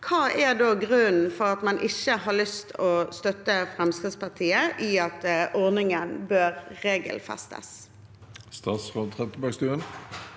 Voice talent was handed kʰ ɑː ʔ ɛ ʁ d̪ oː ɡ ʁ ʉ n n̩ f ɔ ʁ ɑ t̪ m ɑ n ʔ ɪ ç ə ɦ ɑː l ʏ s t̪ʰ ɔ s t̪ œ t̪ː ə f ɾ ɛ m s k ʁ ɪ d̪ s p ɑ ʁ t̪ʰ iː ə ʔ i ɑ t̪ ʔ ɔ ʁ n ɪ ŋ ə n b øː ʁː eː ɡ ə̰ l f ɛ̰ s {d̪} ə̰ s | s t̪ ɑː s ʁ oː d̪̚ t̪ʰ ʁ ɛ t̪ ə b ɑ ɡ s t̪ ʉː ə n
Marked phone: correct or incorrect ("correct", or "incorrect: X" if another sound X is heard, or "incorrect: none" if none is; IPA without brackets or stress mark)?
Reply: incorrect: t̪